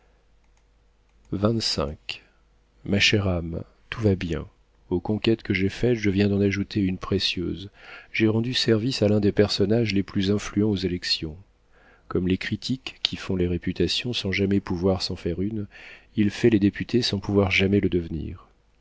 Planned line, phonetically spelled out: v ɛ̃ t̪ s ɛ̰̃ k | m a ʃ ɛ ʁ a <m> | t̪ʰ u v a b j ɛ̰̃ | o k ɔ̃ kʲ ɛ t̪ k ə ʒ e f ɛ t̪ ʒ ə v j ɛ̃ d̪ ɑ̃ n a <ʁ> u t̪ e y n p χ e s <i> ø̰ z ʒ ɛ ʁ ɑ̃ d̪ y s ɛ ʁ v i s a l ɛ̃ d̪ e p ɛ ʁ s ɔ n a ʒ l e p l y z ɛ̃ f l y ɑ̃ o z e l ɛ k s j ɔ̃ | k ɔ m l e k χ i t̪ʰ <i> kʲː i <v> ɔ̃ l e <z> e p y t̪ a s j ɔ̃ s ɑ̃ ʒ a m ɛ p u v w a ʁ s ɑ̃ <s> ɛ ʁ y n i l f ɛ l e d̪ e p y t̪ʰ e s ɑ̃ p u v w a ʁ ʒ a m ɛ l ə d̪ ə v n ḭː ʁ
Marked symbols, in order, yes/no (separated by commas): yes, no, no, yes, no, no, no